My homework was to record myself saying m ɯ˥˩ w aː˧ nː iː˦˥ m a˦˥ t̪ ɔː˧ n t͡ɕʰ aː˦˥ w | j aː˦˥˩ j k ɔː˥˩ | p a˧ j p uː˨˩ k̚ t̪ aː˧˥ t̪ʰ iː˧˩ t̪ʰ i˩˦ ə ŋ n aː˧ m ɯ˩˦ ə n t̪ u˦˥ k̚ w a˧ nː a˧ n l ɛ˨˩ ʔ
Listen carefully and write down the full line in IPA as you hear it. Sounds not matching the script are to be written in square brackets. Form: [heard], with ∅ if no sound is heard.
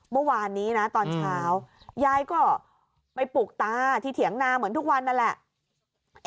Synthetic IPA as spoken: m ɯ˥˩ w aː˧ nː iː˦˥ [n] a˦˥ t̪ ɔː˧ n t͡ɕʰ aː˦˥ w | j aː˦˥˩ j k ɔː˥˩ | p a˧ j p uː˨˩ k̚ t̪ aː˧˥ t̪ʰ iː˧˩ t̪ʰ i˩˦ ə ŋ n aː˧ m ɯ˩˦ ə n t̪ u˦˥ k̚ w a˧ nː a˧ n l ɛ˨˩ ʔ